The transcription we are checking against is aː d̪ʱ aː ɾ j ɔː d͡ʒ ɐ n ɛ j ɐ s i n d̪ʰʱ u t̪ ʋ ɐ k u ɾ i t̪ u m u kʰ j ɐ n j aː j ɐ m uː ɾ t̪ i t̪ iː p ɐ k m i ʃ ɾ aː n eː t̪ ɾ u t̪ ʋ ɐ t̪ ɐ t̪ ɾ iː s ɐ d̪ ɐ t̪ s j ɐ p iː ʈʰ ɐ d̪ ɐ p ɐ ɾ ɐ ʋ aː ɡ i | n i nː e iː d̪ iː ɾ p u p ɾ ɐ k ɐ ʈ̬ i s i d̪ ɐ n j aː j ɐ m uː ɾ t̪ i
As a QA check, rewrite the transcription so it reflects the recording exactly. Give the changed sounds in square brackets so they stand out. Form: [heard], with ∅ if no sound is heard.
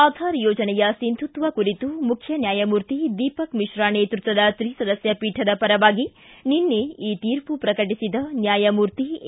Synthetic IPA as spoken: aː d̪ʱ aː ɾ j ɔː d͡ʒ ɐ n ɛ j ɐ s i n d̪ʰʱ u t̪ ʋ ɐ k u ɾ i t̪ u m u kʰ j ɐ n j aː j ɐ m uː ɾ t̪ i [d̪] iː p ɐ k m i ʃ ɾ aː n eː t̪ ɾ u t̪ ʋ ɐ [d̪] ɐ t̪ ɾ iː s ɐ d̪ ɐ [∅] s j ɐ p iː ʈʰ ɐ d̪ ɐ p ɐ ɾ ɐ ʋ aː ɡ i | n i nː e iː [t̪] iː ɾ p u p ɾ ɐ k ɐ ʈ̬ i s i d̪ ɐ n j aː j ɐ m uː ɾ t̪ i